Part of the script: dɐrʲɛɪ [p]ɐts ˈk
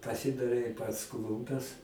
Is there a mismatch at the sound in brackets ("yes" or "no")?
no